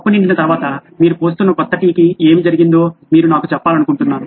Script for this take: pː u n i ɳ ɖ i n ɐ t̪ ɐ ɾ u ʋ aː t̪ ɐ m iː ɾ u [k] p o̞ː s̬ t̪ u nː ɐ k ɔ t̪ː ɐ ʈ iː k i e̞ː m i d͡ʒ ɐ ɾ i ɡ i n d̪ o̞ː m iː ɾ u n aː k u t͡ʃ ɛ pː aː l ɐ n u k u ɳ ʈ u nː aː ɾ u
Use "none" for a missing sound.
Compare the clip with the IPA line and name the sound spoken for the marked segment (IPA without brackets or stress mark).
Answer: none